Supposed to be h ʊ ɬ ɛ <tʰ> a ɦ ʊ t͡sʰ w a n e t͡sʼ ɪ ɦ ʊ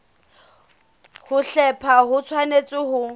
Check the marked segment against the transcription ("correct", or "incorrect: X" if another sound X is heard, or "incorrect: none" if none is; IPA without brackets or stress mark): incorrect: pʰ